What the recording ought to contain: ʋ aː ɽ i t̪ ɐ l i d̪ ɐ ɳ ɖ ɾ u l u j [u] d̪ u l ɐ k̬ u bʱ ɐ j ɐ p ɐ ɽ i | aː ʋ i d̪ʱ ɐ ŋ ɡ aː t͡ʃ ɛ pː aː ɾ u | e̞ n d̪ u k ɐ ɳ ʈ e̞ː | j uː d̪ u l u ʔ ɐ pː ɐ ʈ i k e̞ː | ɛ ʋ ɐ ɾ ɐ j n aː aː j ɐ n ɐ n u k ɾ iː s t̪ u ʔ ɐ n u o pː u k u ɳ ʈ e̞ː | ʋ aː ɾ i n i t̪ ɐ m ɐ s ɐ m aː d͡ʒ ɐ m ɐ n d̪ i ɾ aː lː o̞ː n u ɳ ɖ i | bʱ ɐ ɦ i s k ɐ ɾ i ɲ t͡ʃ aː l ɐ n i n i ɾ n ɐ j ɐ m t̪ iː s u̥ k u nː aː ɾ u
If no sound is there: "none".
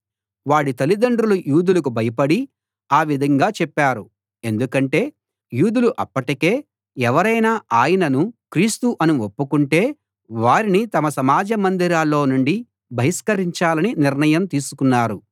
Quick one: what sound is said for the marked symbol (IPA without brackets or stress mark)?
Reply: uː